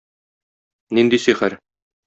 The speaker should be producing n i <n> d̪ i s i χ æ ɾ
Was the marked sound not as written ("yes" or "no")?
no